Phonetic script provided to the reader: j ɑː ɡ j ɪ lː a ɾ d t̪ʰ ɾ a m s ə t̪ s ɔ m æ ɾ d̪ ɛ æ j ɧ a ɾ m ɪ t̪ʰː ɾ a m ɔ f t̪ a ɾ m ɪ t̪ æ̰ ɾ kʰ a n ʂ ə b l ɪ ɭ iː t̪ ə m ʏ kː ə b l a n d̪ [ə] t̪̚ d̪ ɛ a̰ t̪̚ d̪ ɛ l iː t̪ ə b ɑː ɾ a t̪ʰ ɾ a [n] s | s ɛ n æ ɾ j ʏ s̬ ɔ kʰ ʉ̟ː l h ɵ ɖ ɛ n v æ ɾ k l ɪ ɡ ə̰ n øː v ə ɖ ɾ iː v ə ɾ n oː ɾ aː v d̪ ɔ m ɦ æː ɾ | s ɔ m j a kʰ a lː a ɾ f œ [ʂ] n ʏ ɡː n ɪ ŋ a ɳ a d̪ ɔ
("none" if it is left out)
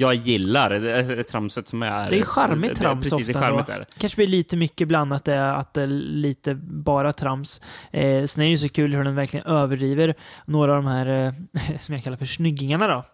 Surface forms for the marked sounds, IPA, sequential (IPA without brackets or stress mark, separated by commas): a, m, ʂ